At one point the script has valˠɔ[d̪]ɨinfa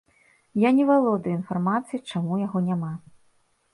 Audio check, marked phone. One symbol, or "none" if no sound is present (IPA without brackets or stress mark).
d̪